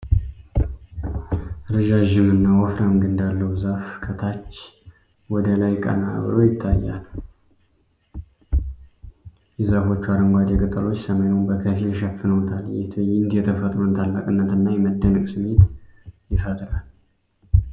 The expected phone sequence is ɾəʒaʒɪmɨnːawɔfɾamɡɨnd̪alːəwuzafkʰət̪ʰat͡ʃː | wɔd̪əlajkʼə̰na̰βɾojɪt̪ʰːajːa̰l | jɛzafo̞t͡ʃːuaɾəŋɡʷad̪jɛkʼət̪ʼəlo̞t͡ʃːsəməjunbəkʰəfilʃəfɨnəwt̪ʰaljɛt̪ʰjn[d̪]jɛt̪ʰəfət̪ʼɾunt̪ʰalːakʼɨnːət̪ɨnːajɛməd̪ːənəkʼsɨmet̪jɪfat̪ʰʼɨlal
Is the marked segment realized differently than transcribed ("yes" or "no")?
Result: no